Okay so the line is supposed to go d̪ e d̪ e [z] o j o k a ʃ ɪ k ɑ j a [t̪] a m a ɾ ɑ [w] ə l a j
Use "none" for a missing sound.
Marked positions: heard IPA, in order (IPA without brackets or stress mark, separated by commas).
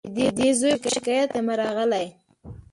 z, t̪, ɣ